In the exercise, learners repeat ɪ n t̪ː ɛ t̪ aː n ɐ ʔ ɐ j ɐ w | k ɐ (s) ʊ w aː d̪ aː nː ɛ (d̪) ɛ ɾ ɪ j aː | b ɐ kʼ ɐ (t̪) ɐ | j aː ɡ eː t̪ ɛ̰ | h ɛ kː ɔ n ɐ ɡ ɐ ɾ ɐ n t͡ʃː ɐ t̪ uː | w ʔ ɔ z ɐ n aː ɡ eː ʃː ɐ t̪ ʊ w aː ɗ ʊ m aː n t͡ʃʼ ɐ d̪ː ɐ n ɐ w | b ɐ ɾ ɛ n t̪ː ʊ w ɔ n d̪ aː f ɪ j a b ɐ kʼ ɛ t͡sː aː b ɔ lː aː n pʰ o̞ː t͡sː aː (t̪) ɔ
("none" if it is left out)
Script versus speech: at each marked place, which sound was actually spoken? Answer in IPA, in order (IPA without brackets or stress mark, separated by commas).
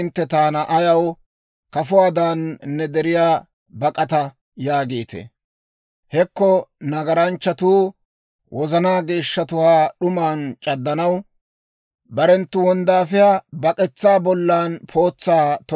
f, d̪, t̪, t̪